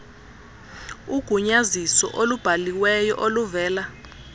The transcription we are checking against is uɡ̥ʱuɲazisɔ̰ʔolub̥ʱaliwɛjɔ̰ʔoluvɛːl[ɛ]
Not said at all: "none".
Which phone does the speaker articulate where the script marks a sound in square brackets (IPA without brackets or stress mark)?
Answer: a